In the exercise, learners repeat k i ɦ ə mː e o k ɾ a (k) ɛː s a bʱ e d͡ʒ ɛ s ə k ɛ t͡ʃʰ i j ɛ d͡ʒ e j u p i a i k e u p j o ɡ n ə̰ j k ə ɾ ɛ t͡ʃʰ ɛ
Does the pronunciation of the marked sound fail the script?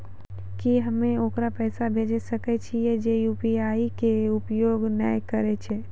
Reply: yes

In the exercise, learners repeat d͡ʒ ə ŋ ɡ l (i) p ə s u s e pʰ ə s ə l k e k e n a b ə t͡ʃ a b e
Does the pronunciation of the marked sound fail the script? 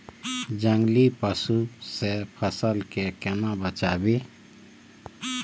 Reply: no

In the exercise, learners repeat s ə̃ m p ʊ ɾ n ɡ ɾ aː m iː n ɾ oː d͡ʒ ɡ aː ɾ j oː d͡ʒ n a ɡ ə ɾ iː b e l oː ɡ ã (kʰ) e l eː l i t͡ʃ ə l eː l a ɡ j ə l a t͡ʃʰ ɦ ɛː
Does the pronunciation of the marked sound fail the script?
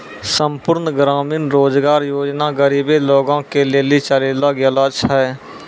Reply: yes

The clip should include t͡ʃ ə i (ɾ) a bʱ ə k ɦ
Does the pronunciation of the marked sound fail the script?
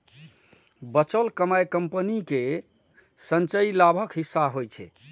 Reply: yes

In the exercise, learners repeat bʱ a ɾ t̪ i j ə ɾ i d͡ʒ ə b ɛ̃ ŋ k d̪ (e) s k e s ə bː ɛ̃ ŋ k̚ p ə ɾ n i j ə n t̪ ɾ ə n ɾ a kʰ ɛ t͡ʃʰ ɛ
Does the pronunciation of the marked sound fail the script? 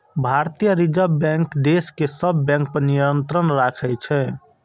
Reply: no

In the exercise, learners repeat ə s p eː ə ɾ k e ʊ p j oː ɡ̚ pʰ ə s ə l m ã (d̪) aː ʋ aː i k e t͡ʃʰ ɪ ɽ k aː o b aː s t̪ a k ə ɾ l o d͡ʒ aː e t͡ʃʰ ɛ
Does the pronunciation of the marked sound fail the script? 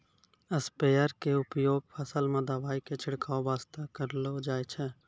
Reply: no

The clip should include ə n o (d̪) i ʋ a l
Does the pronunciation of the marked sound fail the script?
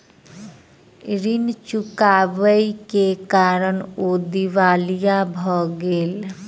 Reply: no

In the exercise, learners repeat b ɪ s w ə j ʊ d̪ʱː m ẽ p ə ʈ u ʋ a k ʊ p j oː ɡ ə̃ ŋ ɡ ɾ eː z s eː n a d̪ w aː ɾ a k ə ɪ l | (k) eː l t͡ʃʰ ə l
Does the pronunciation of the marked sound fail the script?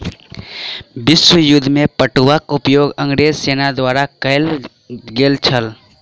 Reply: yes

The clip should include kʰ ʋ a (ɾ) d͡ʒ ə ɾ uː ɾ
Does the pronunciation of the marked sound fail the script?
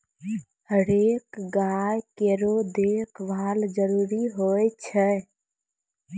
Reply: yes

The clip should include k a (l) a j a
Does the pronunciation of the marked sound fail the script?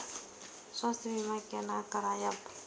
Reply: yes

